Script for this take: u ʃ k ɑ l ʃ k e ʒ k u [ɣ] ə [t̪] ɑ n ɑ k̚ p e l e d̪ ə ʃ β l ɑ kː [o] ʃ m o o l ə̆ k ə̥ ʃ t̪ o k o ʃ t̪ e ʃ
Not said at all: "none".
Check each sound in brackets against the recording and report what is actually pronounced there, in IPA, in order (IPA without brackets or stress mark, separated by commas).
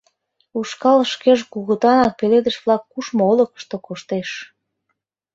ɣ, t̪, u